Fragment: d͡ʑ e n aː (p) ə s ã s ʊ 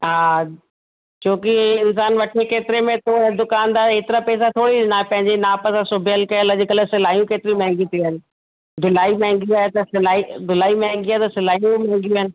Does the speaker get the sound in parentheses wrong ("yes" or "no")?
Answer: no